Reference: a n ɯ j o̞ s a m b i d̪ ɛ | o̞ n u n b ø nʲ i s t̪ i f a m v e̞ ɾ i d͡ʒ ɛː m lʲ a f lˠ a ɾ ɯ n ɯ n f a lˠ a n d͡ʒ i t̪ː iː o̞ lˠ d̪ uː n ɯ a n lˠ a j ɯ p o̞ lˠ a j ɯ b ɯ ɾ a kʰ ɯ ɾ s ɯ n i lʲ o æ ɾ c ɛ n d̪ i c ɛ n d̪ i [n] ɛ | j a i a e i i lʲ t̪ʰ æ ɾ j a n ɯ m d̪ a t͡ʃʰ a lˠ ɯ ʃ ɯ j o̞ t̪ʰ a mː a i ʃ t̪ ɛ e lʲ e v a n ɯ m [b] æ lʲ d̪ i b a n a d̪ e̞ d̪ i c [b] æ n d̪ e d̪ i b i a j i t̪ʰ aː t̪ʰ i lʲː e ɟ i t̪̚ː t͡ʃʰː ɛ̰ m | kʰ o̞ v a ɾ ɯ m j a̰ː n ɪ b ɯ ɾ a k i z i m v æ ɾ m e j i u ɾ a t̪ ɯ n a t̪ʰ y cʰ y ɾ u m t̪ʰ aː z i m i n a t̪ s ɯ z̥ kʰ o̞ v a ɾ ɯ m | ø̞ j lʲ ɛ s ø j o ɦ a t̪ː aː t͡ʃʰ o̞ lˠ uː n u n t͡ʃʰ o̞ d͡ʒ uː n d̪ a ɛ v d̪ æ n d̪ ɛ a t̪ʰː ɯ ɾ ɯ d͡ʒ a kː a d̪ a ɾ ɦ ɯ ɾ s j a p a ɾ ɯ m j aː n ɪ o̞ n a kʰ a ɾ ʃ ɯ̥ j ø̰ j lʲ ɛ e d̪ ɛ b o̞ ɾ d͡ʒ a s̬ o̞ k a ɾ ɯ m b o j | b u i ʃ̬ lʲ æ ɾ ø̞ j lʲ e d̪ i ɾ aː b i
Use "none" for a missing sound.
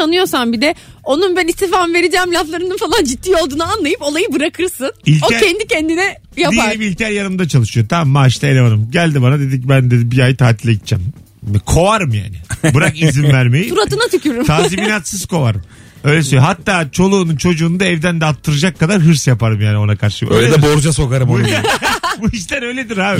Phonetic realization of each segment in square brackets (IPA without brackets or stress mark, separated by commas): n, ɟ, b